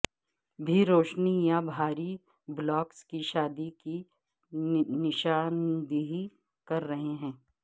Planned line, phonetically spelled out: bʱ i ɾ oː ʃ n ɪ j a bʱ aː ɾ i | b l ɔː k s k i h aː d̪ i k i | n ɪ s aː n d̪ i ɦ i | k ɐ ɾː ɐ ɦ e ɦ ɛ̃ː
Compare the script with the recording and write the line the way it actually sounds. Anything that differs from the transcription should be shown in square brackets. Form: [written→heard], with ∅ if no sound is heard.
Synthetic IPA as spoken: bʱ i ɾ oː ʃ n [ɪ→i] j a bʱ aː ɾ i | b l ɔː k s k i [h→ʃ] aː d̪ i k i | n ɪ [s→ʃ] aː n d̪ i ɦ i | k ɐ ɾː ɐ ɦ e ɦ ɛ̃ː

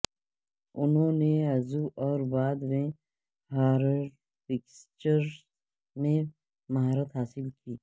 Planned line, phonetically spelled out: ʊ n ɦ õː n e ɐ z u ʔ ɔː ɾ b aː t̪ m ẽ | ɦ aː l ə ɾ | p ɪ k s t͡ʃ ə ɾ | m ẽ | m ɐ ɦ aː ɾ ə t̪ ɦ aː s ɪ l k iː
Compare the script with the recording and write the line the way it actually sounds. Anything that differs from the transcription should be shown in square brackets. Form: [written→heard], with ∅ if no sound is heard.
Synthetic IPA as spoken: ʊ n ɦ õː n e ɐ z u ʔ ɔː ɾ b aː [t̪→d̪] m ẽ | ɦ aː [l→ɾ] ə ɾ | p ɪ k s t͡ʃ ə ɾ | m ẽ | m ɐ ɦ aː ɾ ə t̪ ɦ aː s ɪ l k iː

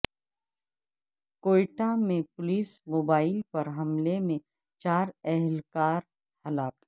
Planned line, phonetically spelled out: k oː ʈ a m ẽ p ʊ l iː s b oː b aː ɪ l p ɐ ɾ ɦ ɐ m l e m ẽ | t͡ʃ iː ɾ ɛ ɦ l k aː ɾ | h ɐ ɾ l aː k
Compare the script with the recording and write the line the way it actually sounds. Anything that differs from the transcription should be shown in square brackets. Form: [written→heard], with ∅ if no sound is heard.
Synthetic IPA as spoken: k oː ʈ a m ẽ p ʊ l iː s [b→m] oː b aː ɪ l p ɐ ɾ ɦ ɐ m l e m ẽ | t͡ʃ [iː→aː] ɾ ɛ ɦ l k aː ɾ | h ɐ [ɾ→∅] l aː k

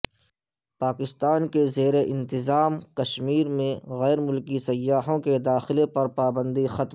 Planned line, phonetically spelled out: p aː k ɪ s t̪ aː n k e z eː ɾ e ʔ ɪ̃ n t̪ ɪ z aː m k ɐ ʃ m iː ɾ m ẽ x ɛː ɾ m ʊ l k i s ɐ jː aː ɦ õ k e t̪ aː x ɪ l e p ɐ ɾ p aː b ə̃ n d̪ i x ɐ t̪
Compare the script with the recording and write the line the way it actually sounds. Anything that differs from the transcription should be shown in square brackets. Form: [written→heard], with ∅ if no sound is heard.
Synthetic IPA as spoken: p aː k ɪ s t̪ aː n k e z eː ɾ e ʔ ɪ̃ n t̪ ɪ z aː m k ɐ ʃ m iː ɾ m ẽ [x→ɣ] ɛː ɾ m ʊ l k i s ɐ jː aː ɦ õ k e [t̪→d̪] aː x ɪ l e p ɐ ɾ p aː b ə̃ n d̪ i x ɐ t̪

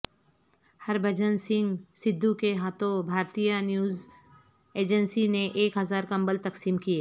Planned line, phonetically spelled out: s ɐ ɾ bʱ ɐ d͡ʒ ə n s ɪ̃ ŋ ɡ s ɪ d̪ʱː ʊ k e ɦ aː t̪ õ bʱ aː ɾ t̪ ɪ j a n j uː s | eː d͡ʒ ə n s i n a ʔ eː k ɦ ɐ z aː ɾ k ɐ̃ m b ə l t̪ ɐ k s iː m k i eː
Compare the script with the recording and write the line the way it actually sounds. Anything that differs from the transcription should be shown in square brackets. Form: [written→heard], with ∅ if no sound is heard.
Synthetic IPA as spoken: [s→h] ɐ ɾ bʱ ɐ d͡ʒ ə n s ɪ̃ ŋ ɡ s ɪ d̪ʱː [ʊ→u] k e ɦ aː t̪ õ bʱ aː ɾ t̪ [ɪ→i] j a n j uː [s→z] | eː d͡ʒ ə n s i n [a→e] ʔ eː k ɦ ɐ z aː ɾ k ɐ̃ m b ə l t̪ ɐ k s iː m k i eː

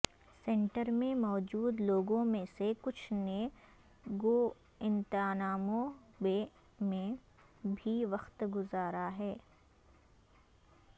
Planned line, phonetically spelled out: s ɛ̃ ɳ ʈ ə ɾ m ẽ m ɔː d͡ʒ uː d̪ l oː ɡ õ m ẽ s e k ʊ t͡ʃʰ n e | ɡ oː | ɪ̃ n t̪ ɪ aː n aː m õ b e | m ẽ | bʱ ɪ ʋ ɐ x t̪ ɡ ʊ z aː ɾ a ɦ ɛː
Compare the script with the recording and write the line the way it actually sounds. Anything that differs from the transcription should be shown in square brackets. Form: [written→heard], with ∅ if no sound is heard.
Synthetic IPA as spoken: s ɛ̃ ɳ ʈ ə ɾ m ẽ m ɔː d͡ʒ uː d̪ l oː ɡ õ m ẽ s e k ʊ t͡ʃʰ n e | ɡ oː | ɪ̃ n t̪ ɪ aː n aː m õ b e | m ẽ | bʱ [ɪ→i] ʋ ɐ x t̪ ɡ ʊ z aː ɾ a ɦ ɛː

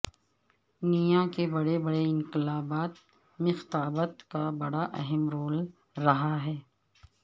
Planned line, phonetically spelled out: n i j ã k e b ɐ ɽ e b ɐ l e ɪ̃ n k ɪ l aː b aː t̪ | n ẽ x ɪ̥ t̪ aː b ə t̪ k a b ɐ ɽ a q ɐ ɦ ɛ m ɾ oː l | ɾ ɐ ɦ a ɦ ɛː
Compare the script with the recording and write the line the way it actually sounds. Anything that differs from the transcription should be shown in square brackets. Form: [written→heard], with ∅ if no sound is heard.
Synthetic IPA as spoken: n i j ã k e b ɐ ɽ e b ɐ [l→ɽ] e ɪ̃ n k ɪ l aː b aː t̪ | [n→m] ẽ x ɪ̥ t̪ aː b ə t̪ k a b ɐ ɽ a [q→ʔ] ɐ ɦ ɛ m ɾ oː l | ɾ ɐ ɦ a ɦ ɛː

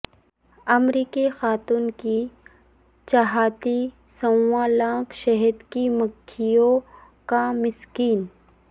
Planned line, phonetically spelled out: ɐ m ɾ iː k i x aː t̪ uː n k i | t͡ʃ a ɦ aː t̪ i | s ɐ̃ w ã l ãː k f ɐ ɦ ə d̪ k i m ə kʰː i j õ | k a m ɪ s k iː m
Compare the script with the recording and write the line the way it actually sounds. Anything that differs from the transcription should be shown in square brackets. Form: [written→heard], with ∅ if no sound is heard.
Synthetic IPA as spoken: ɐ m ɾ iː k i x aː t̪ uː n k i | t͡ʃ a ɦ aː t̪ i | s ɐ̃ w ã l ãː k [f→ʃ] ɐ ɦ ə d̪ k i m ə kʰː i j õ | k a m ɪ s k iː [m→n]

